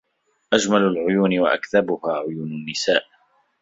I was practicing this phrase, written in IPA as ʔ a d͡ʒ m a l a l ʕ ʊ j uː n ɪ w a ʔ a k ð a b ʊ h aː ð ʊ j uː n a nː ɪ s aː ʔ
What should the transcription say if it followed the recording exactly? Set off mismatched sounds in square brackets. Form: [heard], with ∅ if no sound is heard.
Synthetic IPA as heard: ʔ a d͡ʒ m a l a l ʕ ʊ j uː n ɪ w a ʔ a k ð a b ʊ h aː [ʕ] ʊ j uː n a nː ɪ s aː ʔ